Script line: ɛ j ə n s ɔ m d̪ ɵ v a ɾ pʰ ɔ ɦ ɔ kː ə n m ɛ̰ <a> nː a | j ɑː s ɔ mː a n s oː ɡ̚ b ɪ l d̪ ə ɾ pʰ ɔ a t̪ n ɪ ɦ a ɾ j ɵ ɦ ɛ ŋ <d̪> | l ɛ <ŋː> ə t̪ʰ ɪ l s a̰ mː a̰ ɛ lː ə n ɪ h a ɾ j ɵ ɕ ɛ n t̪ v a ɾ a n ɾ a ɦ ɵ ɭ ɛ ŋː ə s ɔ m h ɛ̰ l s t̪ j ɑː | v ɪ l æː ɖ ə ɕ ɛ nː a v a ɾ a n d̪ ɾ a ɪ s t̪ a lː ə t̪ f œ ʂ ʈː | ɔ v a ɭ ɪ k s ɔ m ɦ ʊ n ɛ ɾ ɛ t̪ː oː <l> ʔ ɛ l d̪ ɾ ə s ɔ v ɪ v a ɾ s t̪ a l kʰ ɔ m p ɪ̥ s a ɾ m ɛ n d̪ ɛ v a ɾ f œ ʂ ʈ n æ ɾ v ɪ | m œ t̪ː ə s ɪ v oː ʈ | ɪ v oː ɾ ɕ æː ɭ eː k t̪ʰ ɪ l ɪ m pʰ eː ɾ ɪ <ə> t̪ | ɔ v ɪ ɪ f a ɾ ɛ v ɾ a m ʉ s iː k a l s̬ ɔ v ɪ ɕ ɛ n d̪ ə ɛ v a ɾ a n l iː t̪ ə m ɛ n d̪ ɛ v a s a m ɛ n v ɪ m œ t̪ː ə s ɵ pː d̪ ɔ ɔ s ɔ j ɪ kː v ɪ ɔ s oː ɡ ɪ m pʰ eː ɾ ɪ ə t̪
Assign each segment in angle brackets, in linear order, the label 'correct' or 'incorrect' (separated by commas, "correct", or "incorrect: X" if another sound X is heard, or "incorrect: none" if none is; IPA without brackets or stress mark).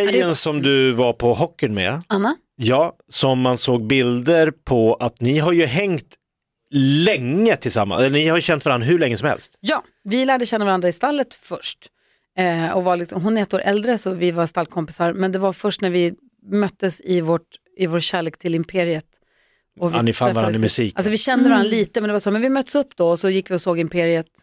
correct, incorrect: t̪, correct, incorrect: ɾ, correct